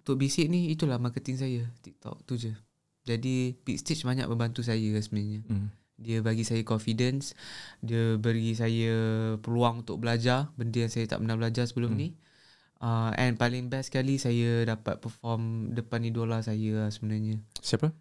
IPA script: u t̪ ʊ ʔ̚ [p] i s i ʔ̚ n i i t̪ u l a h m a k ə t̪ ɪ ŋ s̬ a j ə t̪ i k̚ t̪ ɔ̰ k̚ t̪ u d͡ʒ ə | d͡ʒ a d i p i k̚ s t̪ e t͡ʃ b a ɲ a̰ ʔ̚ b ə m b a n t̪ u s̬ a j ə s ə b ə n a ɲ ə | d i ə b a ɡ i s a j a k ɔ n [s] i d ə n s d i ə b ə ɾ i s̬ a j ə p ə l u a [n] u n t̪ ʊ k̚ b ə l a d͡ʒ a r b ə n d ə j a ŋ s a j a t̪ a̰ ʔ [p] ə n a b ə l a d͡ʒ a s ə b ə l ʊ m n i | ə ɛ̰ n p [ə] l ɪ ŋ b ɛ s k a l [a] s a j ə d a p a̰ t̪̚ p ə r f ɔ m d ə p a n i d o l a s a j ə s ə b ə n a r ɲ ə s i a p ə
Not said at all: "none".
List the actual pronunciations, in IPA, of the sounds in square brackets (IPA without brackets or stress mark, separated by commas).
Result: b, f, ŋ, p, a, i